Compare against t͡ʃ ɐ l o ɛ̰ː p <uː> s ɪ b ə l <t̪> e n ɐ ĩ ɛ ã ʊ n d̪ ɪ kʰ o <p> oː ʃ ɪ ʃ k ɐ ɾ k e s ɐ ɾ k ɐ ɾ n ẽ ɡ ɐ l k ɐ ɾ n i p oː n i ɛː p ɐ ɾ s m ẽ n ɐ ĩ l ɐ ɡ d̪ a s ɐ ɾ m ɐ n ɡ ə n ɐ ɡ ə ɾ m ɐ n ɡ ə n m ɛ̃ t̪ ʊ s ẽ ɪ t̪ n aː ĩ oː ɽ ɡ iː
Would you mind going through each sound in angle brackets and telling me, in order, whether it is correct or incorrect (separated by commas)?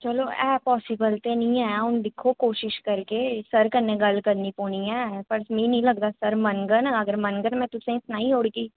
incorrect, correct, incorrect